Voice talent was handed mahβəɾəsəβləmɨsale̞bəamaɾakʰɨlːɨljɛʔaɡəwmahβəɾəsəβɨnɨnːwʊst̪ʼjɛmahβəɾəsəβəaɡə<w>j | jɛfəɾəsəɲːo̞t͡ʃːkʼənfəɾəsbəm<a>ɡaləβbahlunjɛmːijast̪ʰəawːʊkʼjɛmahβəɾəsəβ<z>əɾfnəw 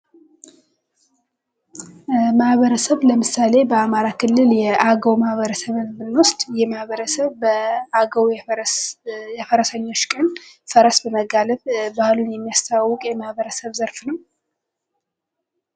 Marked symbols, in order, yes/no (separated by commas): yes, no, yes